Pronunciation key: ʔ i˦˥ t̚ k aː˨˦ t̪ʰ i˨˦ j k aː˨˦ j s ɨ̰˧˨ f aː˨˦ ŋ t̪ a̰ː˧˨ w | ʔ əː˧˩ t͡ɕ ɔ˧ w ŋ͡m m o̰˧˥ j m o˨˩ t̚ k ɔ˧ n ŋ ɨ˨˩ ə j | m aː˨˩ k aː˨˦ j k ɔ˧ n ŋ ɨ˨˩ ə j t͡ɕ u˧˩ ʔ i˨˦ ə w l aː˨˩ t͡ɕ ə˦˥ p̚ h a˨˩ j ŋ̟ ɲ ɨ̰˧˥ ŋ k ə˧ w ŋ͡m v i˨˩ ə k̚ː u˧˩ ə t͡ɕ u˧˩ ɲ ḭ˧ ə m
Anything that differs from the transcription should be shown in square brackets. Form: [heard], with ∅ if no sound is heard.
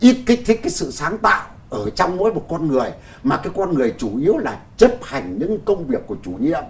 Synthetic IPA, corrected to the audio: ʔ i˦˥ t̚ k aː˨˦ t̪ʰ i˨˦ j k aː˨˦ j s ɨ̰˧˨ [s] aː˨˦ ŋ t̪ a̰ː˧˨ w | ʔ əː˧˩ t͡ɕ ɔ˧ w ŋ͡m m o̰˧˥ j m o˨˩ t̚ k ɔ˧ n ŋ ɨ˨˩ ə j | m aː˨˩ k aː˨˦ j k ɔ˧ n ŋ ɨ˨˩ ə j t͡ɕ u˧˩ ʔ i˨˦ ə w l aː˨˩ t͡ɕ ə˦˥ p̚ h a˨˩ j ŋ̟ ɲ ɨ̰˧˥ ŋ k ə˧ w ŋ͡m v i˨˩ ə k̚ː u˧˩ ə t͡ɕ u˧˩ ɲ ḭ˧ ə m